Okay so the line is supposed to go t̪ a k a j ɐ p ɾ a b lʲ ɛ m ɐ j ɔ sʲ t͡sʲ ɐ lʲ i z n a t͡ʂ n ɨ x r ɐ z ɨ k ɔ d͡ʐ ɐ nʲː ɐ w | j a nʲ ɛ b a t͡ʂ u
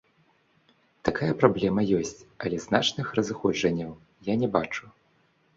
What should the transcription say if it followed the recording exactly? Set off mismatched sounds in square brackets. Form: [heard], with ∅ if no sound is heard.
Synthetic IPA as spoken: t̪ a k a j ɐ p ɾ a b lʲ ɛ m ɐ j ɔ sʲ t͡sʲ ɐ lʲ [ɛ] z n a t͡ʂ n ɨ x r ɐ z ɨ [x] ɔ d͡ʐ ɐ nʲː ɐ w | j a nʲ ɛ b a t͡ʂ u